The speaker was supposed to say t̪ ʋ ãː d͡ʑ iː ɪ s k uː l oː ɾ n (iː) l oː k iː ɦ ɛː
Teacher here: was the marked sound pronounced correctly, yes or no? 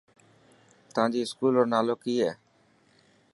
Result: no